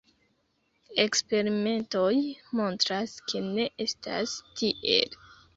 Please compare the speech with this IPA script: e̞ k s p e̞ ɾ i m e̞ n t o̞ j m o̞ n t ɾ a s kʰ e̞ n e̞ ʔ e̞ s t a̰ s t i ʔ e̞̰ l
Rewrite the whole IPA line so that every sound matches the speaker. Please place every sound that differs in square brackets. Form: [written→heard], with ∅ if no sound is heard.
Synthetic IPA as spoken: e̞ k s p e̞ ɾ i m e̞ n t o̞ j m o̞ n t ɾ a s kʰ e̞ n e̞ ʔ e̞ s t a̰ s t i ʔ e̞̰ l